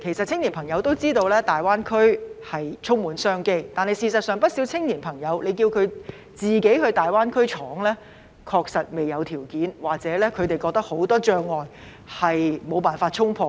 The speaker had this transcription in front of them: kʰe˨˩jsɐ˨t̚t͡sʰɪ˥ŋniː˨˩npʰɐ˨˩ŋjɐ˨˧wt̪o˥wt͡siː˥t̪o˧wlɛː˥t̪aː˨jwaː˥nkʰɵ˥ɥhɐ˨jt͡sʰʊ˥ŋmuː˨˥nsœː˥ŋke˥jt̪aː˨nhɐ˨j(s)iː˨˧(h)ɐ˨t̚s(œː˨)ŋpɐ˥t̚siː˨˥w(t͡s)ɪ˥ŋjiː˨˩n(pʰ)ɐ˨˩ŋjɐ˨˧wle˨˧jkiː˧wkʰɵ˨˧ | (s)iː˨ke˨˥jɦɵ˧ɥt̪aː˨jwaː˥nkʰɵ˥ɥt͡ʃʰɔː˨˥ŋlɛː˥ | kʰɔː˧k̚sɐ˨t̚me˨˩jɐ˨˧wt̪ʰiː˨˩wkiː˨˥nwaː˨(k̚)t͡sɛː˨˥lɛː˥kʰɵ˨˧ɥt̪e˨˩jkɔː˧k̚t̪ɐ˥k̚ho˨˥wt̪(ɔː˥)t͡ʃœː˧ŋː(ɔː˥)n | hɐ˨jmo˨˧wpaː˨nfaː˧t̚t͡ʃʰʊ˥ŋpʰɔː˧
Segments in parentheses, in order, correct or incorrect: correct, incorrect: s, correct, incorrect: t͡sʰ, correct, incorrect: t͡s, correct, correct, incorrect: ɔː˨˩

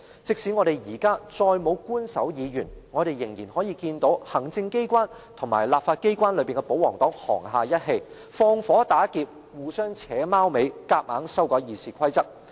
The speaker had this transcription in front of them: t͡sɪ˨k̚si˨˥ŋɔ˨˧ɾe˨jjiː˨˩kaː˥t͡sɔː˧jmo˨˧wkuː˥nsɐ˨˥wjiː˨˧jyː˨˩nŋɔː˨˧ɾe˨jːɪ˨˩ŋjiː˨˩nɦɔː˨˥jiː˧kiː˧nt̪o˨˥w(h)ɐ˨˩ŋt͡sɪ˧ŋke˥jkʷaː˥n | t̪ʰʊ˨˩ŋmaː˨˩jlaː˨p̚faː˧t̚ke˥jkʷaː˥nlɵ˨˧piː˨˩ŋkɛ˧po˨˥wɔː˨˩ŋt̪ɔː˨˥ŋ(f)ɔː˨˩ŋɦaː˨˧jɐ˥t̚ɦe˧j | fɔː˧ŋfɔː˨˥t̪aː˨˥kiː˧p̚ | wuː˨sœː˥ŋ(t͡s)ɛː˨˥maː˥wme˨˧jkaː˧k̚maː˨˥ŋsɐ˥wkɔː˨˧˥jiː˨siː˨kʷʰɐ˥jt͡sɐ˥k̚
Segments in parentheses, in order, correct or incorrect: correct, incorrect: h, incorrect: t͡sʰ

